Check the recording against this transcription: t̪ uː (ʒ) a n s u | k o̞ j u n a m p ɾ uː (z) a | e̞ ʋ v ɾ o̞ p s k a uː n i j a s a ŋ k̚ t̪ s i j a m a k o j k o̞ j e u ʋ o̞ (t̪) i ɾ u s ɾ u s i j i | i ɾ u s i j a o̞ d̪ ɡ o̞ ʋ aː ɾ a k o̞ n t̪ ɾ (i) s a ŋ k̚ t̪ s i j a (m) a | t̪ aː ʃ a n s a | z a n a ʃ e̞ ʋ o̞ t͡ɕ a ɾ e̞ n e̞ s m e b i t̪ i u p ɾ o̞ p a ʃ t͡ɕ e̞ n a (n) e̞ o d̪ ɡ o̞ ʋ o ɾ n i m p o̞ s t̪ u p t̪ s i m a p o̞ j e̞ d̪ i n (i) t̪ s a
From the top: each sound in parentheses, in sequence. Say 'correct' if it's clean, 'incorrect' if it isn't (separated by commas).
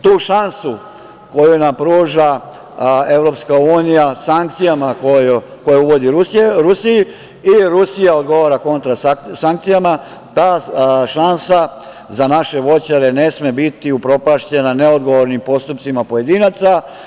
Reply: incorrect, incorrect, incorrect, incorrect, correct, correct, incorrect